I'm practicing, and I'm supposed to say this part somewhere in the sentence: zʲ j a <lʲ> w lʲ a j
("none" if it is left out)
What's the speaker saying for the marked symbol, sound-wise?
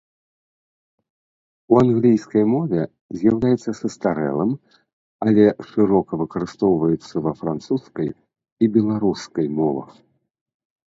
none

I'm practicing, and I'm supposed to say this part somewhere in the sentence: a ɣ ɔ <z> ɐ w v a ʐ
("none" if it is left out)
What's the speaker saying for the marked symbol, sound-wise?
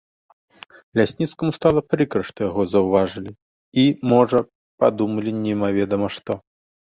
z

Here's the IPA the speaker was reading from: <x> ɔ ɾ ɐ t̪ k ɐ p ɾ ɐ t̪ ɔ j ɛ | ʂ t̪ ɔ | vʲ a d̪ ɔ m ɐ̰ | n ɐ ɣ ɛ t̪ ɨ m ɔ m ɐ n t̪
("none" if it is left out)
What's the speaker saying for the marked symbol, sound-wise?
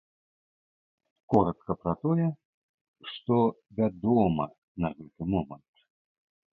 k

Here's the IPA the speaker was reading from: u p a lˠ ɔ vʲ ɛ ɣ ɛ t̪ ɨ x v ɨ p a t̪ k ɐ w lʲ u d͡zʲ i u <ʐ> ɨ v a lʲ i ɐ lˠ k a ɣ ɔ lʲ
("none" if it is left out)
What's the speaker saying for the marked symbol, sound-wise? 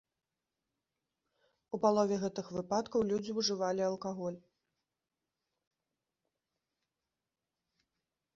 ʐ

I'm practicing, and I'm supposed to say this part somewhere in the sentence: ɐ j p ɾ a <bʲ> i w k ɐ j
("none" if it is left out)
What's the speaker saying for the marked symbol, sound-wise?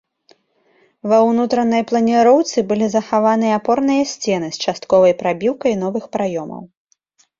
bʲ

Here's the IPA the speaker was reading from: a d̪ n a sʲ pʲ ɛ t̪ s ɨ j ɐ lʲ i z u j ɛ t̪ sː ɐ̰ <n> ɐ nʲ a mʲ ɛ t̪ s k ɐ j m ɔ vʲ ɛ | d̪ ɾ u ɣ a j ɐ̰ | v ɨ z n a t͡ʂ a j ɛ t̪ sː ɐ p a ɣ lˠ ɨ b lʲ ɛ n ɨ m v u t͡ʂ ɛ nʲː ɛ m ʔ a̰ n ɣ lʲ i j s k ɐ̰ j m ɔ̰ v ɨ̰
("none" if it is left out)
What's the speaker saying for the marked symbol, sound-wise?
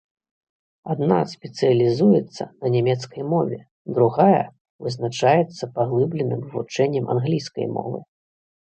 n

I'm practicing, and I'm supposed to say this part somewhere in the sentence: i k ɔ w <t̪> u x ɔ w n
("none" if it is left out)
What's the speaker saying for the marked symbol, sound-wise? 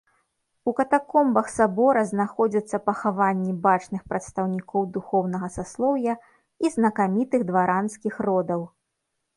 d̪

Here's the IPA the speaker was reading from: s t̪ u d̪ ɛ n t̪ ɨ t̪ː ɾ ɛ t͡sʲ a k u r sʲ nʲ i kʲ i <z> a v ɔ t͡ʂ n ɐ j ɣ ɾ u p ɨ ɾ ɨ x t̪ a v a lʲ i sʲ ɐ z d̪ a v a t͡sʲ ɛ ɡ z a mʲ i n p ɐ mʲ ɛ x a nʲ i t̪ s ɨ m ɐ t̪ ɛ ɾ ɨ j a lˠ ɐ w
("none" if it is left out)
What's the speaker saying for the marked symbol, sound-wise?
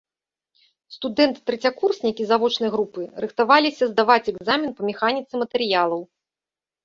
z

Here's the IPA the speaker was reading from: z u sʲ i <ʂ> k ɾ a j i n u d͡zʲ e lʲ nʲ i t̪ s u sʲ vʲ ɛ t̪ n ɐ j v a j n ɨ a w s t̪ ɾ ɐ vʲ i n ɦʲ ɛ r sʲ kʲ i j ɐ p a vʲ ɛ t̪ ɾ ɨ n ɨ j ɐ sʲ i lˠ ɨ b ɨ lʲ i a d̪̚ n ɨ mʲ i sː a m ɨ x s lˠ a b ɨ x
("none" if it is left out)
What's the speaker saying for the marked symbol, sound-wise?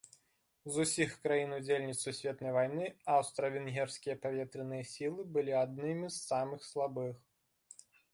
x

